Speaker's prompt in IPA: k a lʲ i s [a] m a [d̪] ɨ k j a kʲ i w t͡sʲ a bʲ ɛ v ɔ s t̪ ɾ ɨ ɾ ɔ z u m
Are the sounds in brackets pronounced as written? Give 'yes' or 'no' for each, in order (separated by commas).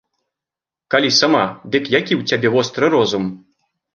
yes, yes